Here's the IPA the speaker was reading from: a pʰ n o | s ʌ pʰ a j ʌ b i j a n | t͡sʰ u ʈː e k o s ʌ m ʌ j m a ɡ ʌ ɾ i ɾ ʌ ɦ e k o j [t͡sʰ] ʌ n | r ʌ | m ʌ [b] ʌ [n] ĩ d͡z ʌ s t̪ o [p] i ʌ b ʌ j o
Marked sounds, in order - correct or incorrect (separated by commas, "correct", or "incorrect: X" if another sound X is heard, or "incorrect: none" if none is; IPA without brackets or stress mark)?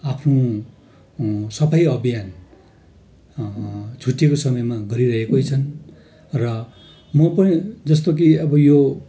correct, incorrect: p, correct, incorrect: k